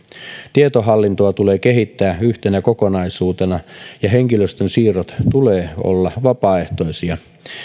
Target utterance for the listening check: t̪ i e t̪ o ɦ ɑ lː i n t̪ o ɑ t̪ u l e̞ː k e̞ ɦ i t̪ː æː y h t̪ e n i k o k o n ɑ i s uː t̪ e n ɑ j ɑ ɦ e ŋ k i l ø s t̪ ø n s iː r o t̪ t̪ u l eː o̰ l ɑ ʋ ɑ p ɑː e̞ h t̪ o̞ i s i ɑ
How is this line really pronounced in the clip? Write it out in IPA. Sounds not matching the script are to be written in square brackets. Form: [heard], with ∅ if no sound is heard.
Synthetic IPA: t̪ i e t̪ o ɦ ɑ lː i n t̪ o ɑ t̪ u l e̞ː k e̞ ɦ i t̪ː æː y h t̪ e n [æ] k o k o n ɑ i s uː t̪ e n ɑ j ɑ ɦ e ŋ k i l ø s t̪ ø n s iː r o t̪ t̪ u l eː o̰ [lː] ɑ ʋ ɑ p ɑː e̞ h t̪ o̞ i s i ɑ